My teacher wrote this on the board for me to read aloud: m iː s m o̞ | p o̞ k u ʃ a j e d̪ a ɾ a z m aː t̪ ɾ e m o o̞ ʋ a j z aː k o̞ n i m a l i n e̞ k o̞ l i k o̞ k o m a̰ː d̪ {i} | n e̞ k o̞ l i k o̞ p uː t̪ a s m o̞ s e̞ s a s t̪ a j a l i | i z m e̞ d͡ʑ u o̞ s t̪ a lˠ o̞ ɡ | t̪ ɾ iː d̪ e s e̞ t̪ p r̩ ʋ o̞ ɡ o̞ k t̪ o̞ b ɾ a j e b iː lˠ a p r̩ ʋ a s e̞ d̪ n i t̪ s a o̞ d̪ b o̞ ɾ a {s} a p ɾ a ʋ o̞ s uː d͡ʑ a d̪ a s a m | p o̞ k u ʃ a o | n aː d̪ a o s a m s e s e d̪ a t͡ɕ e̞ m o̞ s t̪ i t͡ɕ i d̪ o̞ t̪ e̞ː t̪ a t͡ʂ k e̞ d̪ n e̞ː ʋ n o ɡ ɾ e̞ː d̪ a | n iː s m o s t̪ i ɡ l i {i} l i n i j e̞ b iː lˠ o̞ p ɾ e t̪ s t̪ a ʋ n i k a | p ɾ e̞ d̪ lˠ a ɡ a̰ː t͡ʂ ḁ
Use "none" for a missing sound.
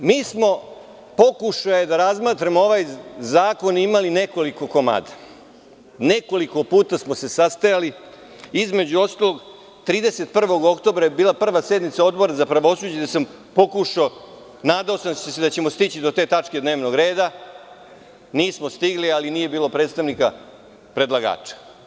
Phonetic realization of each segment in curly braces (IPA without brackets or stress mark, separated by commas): a, z, a